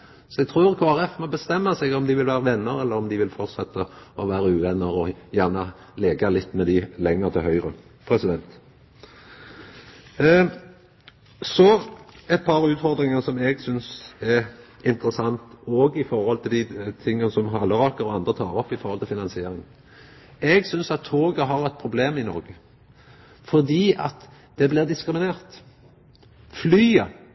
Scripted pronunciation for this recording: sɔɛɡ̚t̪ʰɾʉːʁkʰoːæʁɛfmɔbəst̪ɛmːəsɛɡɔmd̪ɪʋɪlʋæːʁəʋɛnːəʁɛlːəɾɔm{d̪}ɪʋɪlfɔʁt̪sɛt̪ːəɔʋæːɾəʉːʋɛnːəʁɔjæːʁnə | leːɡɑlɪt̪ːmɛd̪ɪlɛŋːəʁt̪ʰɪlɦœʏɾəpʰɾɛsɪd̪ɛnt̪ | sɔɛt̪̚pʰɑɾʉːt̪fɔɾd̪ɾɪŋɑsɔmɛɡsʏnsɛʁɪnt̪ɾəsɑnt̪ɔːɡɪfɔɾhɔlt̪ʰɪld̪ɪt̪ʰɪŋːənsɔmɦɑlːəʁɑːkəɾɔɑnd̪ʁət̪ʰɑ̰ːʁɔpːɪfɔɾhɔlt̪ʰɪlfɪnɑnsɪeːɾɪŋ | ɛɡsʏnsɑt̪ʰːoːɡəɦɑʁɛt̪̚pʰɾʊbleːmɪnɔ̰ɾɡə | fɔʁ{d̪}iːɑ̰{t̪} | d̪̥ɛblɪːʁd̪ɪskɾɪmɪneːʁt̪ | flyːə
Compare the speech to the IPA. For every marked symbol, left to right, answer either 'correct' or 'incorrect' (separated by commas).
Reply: correct, correct, correct